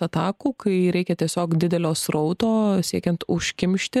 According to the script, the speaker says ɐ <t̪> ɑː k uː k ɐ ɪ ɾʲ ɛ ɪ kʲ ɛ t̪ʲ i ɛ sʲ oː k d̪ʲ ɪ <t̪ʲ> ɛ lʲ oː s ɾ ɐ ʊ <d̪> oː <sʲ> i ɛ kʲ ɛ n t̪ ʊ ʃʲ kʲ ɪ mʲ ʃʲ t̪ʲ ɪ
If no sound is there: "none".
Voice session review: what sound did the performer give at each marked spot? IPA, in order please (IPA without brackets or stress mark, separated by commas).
t̪, d̪ʲ, t̪, sʲ